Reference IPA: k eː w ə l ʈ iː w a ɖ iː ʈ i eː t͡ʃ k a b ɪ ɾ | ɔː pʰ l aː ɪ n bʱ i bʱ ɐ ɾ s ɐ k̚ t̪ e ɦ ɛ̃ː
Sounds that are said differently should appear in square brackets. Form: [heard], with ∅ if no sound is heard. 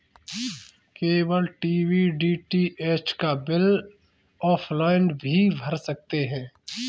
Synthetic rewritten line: k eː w ə l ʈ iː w [i] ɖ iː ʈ i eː t͡ʃ k a b ɪ [l] | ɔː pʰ l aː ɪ n bʱ i bʱ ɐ ɾ s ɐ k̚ t̪ e ɦ ɛ̃ː